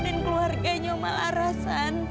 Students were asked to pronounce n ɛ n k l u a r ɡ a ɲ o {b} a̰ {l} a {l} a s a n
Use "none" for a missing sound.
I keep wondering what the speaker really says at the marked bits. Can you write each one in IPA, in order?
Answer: m, l, ɾ

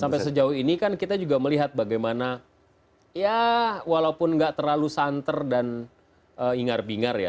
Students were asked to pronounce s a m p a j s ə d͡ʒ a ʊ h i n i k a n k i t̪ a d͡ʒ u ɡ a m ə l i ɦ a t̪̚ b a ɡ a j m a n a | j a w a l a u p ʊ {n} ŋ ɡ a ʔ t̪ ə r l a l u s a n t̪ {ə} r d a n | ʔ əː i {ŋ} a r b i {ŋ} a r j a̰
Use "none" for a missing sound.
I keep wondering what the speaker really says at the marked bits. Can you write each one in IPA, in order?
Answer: n, ə, ŋ, ŋ

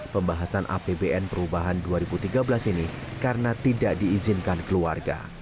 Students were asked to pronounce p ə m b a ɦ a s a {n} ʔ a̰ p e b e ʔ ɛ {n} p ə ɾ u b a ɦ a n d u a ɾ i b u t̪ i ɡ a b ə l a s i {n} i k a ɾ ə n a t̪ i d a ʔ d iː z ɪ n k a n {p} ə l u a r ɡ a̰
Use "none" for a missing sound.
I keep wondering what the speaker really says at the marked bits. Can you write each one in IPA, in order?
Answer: n, n, n, k

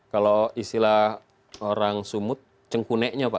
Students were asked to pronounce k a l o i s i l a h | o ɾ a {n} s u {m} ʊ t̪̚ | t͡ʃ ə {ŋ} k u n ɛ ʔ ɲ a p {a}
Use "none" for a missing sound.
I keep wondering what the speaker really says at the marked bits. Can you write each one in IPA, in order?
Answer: ŋ, m, ŋ, a

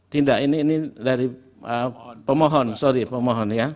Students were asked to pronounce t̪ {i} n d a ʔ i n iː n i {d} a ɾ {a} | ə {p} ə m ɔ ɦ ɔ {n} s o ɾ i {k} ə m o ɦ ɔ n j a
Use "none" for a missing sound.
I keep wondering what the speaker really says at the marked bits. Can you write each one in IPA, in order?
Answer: i, d, i, p, n, p

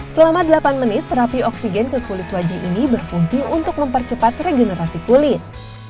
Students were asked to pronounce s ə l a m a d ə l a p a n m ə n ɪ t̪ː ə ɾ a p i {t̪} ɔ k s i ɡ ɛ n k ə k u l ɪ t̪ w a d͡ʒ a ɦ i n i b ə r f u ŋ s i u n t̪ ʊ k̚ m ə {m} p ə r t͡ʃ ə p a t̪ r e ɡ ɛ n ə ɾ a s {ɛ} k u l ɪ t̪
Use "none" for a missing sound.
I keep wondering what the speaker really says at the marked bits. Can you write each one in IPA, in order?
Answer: none, m, i

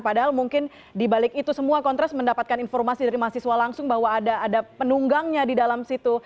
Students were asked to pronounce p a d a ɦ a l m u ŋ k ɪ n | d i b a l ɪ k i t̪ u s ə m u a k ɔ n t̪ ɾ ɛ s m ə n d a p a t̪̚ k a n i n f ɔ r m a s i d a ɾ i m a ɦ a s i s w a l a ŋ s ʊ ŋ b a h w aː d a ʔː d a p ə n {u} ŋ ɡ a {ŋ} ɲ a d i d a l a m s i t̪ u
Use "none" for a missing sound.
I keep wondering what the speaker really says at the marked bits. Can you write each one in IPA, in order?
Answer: u, ŋ

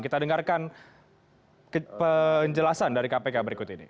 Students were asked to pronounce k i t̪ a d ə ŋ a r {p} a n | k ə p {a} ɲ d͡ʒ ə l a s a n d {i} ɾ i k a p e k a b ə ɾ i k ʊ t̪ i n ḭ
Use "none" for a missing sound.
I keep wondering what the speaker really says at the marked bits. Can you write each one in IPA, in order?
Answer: k, ə, a

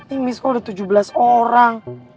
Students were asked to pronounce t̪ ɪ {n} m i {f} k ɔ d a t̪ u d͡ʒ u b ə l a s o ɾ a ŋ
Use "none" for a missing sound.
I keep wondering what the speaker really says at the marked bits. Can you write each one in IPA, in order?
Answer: ŋ, s

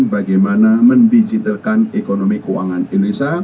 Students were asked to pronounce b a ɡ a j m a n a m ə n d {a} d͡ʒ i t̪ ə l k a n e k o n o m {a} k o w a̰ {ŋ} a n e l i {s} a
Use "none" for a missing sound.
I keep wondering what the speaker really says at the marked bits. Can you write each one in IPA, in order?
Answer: i, i, ŋ, s

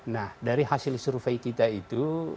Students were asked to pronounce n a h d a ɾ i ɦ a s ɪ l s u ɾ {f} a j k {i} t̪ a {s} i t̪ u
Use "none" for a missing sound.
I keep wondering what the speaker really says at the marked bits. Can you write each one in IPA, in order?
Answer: f, i, none

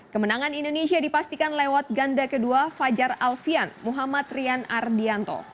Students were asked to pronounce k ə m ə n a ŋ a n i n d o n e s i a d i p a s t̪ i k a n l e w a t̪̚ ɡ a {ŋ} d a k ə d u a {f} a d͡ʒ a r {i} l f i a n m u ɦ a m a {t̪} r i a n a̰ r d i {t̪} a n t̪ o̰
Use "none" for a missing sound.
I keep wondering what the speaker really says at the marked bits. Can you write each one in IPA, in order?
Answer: n, f, a, t̪, none

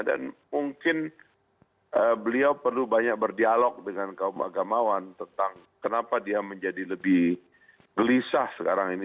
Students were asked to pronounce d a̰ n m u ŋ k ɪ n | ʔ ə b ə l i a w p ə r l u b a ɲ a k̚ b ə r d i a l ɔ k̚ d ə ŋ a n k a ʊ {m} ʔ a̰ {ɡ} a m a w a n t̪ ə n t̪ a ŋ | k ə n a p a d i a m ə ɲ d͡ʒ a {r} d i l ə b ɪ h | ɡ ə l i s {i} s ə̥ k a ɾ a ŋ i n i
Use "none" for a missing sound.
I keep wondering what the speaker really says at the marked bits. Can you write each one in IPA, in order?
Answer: m, ɡ, none, a

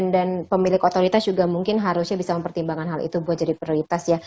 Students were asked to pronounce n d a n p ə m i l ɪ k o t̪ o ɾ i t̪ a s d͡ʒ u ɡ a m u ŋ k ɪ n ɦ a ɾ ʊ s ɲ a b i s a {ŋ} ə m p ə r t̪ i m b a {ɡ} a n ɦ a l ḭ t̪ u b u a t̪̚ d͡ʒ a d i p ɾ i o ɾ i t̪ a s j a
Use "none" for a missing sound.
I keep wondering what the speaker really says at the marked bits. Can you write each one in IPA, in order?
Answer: m, ŋ

